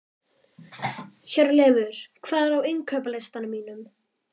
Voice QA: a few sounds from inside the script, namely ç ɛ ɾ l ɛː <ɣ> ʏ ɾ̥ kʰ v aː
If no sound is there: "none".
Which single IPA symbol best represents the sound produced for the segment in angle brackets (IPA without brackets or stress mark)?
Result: v